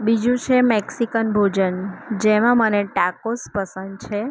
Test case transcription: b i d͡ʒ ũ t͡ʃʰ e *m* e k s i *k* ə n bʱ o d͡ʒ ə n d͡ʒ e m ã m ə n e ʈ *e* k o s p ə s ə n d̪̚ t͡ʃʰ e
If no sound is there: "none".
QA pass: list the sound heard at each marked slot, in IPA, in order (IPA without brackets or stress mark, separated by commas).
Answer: m, k, a